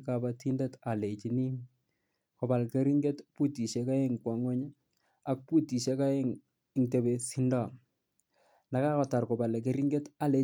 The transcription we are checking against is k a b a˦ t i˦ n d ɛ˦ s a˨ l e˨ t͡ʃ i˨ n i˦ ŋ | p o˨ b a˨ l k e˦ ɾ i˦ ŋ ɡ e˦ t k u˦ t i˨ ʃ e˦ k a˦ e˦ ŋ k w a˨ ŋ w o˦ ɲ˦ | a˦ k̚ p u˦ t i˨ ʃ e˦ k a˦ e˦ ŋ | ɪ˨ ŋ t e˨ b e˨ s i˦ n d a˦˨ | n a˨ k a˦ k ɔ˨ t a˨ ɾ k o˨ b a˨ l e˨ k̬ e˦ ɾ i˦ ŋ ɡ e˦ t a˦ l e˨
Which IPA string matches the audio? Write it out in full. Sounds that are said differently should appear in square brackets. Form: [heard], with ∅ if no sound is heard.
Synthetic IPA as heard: k a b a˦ t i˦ n d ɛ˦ [t] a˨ l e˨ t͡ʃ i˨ n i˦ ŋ | [k] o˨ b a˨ l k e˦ ɾ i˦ ŋ ɡ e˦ t [p] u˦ t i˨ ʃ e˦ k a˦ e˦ ŋ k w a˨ ŋ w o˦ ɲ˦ | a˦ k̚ p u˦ t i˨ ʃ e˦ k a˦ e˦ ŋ | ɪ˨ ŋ t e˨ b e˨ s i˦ n d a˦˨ | n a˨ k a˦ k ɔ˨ t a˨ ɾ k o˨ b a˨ l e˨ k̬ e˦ ɾ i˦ ŋ ɡ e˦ t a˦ l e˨